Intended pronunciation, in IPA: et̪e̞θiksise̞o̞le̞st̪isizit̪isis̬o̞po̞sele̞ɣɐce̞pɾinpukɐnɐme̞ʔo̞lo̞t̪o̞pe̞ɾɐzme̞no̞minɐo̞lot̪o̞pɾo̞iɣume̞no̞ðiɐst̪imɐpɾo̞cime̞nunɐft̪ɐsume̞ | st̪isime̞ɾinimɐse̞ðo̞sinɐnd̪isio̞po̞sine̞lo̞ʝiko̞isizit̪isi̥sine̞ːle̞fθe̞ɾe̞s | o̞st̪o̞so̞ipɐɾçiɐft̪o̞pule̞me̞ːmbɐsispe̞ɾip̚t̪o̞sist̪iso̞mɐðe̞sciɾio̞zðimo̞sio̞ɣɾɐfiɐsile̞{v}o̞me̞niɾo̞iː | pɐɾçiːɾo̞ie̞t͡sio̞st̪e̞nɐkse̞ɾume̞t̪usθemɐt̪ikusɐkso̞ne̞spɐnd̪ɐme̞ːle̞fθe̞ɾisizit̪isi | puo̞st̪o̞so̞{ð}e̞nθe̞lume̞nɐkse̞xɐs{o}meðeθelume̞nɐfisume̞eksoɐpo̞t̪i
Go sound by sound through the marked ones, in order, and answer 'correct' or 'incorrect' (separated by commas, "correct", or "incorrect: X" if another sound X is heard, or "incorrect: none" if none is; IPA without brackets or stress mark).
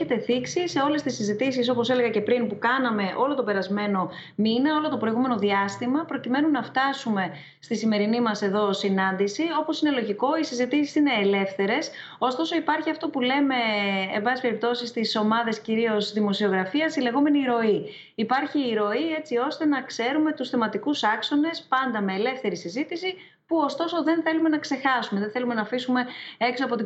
incorrect: ɣ, correct, incorrect: u